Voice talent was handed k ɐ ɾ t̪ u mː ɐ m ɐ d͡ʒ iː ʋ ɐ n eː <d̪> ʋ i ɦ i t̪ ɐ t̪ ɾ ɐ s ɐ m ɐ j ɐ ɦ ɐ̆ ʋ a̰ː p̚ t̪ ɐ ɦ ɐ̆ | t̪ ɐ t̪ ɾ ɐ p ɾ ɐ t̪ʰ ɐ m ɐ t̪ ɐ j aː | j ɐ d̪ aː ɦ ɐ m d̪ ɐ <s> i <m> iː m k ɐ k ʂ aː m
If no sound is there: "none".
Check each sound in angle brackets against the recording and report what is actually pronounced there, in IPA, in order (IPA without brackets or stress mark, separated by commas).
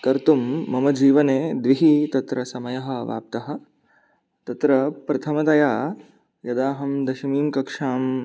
d̪, ʃ, m